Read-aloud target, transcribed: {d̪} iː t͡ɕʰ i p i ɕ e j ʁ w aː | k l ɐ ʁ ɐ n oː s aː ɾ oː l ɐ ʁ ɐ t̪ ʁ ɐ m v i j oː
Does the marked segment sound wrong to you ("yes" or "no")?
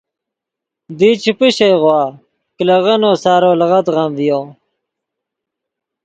no